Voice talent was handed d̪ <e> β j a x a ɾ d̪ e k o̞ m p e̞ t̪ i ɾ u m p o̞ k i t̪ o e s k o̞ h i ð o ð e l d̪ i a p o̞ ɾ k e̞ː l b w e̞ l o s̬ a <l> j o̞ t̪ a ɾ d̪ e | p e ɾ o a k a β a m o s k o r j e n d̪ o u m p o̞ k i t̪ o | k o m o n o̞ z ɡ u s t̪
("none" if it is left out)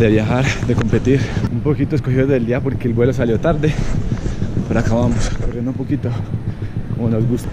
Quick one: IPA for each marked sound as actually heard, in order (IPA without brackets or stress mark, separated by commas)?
e, l